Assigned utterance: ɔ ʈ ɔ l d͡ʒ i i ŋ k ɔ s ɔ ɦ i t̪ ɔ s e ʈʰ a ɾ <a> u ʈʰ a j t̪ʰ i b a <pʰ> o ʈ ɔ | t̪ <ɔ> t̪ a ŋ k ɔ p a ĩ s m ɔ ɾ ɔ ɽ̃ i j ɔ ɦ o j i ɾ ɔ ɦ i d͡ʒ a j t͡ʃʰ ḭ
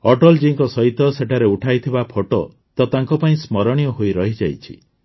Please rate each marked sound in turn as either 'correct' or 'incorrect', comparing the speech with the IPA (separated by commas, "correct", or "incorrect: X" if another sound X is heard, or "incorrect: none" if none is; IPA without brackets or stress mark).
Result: incorrect: e, correct, correct